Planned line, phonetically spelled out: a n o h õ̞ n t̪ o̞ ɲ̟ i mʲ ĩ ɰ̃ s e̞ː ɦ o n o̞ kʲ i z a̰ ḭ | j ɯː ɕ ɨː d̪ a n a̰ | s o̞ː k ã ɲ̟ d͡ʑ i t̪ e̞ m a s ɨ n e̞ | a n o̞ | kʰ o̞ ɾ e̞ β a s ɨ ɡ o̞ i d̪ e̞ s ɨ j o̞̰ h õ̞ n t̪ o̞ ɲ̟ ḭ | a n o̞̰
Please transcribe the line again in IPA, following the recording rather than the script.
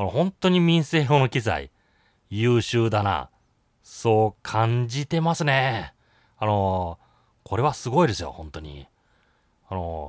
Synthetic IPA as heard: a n o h õ̞ n t̪ o̞ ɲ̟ i mʲ ĩ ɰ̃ s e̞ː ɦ o n o̞ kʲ i z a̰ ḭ | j ɯː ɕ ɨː d̪ a n a̰ | s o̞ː kʰ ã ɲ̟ d͡ʑ i t̪ e̞ m a s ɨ n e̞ | a n o̞ | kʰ o̞ ɾ e̞ β a s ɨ ɡ o̞ i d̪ e̞ s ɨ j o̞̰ h õ̞ n t̪ o̞ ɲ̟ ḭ | a n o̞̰